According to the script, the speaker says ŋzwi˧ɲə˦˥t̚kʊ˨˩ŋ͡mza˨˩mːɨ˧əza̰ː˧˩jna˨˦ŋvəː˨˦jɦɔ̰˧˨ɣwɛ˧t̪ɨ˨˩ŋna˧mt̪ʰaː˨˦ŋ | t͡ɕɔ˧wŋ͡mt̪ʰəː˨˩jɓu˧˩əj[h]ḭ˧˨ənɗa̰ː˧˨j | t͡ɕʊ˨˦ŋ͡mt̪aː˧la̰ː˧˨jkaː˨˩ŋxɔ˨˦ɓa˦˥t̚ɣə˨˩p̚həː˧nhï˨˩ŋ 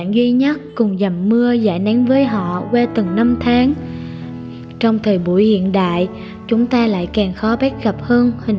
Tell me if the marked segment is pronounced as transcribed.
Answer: yes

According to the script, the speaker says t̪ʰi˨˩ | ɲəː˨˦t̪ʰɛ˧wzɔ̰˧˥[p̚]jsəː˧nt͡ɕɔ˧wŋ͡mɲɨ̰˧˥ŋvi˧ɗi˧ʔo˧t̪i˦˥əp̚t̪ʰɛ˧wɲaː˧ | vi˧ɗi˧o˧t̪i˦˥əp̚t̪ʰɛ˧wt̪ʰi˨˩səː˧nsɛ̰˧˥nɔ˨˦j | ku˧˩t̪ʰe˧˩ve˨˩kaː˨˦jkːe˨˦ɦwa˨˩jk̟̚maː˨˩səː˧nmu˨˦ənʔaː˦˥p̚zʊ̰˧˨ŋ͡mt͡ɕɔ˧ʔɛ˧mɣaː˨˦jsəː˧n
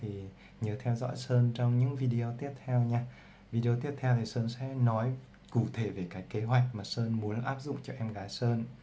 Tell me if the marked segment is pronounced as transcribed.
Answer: no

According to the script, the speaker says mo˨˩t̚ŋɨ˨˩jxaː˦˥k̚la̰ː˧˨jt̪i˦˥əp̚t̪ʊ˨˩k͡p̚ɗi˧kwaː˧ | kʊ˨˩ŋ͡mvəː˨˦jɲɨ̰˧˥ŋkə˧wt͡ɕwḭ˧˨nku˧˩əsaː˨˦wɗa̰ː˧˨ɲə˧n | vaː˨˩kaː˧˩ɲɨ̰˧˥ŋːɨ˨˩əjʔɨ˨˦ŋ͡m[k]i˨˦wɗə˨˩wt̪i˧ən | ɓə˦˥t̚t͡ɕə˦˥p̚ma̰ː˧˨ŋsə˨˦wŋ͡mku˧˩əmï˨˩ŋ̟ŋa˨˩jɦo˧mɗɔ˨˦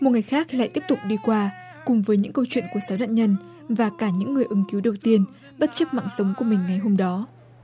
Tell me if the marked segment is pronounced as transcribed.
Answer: yes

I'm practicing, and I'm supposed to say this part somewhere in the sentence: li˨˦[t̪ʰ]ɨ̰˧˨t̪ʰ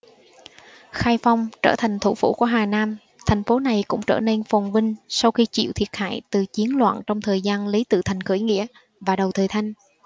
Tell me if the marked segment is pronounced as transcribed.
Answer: no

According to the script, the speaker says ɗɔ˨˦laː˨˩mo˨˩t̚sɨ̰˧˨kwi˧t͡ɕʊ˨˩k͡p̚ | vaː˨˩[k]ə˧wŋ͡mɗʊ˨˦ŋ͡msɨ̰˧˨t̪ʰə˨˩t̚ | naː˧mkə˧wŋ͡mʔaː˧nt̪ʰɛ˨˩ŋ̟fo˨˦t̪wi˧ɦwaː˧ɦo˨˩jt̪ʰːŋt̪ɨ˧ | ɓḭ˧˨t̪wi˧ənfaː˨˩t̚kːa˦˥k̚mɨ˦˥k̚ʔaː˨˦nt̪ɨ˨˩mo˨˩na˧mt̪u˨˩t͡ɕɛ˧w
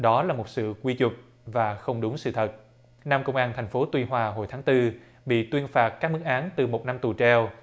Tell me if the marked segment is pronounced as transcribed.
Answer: no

